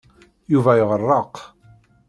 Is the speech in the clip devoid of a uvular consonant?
no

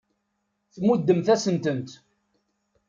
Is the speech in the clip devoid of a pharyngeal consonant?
yes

